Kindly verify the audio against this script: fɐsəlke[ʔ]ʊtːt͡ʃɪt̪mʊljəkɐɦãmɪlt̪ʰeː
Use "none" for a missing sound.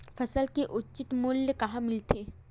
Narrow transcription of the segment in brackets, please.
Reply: ʔ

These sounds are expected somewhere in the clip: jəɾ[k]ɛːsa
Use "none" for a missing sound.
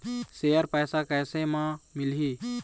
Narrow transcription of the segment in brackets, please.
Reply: p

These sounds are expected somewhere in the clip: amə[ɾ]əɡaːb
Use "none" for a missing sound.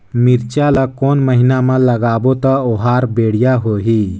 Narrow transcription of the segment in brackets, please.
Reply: l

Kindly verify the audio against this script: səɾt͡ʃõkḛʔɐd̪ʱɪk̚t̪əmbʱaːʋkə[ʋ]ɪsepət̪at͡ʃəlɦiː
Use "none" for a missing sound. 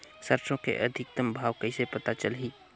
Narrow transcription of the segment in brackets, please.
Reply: none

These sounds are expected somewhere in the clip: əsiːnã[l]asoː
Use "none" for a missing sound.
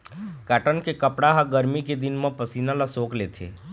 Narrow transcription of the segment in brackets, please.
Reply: l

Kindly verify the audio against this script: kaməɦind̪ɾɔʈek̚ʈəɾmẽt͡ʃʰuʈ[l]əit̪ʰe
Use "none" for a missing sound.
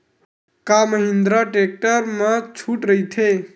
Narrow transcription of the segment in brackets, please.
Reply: ɾ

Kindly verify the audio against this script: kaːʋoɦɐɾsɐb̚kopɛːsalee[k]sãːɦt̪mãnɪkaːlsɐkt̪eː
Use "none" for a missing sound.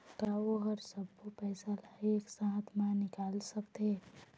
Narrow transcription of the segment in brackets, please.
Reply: k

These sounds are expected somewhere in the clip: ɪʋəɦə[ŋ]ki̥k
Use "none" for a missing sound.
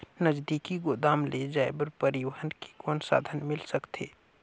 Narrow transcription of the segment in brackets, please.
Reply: n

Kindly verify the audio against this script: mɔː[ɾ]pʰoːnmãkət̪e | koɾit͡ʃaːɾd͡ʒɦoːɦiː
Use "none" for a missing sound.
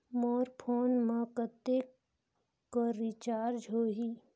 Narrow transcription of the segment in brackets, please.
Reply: ɾ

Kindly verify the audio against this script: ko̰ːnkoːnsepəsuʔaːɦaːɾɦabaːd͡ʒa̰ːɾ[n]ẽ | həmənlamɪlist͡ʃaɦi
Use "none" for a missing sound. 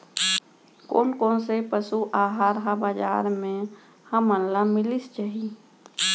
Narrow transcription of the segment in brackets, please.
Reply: m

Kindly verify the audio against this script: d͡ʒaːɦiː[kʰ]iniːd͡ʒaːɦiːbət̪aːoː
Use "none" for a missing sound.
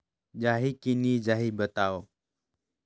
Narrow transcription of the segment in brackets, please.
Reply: k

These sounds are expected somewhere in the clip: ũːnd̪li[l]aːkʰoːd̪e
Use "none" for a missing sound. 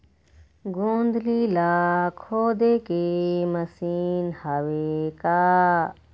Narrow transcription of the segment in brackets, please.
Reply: l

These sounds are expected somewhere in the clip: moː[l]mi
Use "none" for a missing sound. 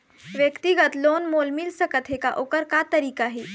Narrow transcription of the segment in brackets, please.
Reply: l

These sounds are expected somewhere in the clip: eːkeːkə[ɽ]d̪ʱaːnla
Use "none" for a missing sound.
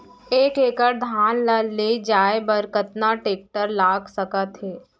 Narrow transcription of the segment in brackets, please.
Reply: ɾ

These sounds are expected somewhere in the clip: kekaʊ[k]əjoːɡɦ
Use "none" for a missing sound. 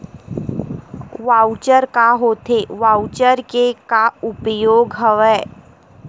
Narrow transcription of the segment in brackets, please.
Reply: p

